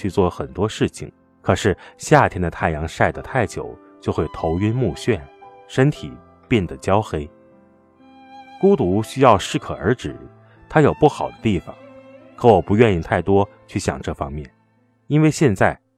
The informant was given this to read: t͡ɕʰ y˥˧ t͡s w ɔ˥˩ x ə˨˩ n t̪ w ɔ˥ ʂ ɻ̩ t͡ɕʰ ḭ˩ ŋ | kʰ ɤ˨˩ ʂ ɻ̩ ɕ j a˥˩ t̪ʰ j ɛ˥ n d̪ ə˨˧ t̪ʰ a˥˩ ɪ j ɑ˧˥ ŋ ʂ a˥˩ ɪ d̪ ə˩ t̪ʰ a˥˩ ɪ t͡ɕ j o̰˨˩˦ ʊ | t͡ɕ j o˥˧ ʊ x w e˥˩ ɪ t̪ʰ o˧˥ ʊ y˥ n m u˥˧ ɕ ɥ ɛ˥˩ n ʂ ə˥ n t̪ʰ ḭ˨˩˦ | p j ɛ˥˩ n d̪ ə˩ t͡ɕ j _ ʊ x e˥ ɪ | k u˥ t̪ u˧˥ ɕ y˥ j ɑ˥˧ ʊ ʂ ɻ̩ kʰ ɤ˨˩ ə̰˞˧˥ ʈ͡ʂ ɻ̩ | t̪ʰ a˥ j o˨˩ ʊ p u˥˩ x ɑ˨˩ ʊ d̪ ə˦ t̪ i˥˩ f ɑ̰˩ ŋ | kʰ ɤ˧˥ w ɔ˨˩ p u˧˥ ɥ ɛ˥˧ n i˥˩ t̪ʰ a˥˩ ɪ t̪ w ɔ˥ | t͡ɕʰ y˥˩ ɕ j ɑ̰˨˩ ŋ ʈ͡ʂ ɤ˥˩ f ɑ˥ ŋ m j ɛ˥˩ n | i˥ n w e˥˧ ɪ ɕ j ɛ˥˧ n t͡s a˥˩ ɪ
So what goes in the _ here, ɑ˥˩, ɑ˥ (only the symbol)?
ɑ˥